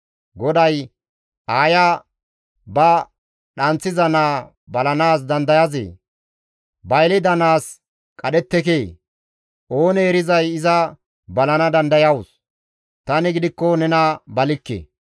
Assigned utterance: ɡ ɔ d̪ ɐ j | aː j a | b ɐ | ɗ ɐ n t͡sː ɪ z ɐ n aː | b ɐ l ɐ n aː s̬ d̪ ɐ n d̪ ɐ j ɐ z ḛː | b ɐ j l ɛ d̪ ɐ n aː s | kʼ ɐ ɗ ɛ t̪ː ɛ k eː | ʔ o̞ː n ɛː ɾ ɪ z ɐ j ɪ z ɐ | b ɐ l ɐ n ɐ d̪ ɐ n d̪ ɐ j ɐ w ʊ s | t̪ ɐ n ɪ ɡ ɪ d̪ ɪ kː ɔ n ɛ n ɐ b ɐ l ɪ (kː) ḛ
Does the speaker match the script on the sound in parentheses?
yes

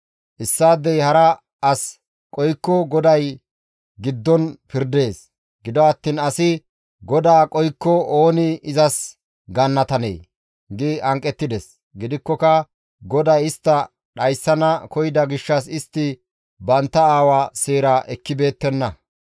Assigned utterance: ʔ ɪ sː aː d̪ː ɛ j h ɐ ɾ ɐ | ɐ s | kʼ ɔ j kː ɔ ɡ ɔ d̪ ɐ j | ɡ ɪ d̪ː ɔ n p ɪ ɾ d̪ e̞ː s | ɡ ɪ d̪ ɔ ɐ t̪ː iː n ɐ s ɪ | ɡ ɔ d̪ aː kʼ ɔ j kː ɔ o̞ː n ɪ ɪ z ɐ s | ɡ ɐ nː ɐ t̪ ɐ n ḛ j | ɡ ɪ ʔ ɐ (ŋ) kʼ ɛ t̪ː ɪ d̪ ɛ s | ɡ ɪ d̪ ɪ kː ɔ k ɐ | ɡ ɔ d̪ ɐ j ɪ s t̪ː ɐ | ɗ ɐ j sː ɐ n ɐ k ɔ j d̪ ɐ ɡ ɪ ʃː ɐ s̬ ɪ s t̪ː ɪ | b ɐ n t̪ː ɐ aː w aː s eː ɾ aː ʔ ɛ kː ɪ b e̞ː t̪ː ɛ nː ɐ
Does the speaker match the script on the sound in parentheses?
yes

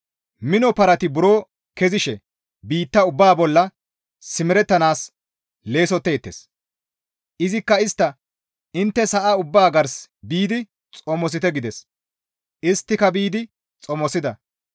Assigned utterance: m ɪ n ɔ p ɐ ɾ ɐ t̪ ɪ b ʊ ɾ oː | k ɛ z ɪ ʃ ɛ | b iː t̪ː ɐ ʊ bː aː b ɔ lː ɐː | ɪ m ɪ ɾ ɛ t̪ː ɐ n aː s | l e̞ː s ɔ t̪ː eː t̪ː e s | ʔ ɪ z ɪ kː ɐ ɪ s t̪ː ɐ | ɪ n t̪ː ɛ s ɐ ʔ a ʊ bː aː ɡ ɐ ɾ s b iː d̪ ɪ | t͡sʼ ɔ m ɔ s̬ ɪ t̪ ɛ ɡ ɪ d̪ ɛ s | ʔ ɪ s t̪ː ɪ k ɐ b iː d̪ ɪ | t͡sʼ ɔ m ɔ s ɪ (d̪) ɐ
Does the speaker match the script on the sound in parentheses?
yes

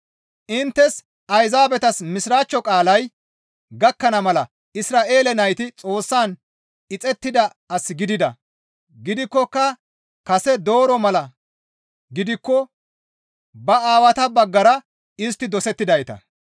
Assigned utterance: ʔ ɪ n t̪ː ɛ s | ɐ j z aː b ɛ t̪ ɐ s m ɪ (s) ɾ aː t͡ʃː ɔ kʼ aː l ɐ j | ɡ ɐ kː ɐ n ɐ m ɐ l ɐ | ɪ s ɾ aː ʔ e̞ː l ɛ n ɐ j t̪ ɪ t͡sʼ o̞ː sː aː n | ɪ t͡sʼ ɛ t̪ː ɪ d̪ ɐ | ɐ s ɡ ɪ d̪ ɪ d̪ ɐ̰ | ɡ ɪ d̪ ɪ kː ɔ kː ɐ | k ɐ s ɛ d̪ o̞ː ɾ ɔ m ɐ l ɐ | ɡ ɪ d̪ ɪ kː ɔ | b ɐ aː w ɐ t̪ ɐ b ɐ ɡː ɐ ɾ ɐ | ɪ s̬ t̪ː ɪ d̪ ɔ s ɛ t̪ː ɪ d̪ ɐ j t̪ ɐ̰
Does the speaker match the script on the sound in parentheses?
yes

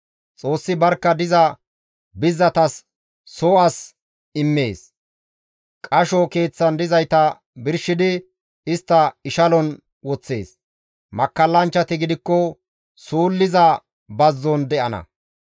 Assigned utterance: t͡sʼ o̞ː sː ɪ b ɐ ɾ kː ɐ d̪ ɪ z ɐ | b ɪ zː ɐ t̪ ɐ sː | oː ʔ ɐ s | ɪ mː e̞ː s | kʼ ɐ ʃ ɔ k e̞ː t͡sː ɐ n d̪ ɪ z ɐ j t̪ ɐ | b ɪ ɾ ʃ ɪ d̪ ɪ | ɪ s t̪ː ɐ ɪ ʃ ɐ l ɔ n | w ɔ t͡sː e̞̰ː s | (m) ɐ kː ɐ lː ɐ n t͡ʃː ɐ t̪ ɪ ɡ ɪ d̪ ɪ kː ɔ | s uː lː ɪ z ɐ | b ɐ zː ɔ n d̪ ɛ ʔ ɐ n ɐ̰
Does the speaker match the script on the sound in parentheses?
yes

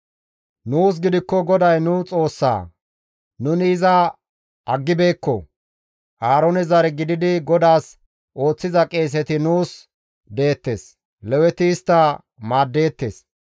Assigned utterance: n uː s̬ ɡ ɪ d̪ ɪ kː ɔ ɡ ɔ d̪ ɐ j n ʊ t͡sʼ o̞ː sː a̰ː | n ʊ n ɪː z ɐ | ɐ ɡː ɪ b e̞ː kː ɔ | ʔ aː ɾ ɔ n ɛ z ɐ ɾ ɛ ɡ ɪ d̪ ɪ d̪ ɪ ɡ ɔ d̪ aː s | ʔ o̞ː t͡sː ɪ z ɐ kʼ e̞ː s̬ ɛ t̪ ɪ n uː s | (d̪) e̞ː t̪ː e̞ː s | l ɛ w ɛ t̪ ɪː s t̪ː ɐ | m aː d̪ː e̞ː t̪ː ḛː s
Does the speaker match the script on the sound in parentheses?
yes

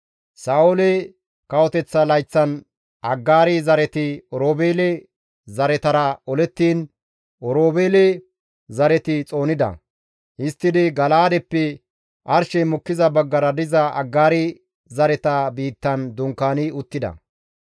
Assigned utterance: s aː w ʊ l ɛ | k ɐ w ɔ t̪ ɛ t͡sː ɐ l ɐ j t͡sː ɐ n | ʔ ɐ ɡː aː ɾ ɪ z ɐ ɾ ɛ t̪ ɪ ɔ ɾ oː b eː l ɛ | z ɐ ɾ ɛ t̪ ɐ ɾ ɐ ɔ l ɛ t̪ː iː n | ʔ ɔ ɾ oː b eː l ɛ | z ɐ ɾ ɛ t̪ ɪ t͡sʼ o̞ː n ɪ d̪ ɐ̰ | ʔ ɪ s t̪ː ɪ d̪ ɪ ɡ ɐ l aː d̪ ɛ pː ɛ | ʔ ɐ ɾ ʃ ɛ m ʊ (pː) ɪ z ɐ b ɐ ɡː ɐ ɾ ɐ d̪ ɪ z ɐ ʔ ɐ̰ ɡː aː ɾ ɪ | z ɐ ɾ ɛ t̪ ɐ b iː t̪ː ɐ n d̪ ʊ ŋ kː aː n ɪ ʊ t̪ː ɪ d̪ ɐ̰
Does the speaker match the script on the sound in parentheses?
no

